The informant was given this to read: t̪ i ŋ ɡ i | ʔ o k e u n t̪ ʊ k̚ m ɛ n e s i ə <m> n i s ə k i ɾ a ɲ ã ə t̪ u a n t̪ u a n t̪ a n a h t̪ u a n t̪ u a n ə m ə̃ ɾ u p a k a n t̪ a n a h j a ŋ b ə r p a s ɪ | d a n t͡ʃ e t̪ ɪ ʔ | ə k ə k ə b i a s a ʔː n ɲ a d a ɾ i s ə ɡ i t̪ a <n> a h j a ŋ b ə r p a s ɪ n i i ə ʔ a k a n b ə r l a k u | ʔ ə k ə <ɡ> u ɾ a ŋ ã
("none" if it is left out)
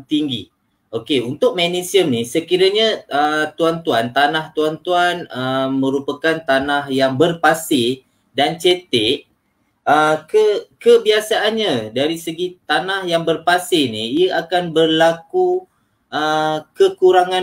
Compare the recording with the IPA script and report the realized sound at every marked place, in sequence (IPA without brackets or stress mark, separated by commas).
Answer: m, n, k